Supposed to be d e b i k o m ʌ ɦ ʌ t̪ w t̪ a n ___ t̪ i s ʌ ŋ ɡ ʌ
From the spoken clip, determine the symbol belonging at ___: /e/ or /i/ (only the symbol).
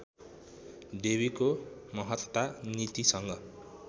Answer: i